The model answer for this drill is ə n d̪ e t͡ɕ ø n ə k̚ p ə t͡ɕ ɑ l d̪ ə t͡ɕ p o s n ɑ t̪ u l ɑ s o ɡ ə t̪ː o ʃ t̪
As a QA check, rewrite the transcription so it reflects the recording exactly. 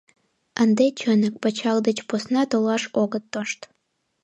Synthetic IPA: ə n d̪ e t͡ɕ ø n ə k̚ p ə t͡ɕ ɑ l d̪ ə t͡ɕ p o s n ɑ t̪ o l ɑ ʃ o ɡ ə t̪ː o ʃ t̪